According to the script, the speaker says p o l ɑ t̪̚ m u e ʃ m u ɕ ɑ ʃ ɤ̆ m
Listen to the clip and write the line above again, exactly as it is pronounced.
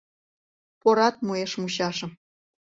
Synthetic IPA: p o ɾ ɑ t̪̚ m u e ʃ m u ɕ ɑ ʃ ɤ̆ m